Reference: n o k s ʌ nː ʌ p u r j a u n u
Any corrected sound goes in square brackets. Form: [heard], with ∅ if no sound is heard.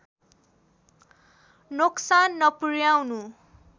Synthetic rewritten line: n o k s [a] nː ʌ p u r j a [w] n u